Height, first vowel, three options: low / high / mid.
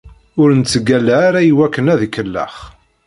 high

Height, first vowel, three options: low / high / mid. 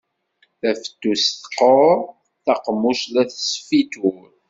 low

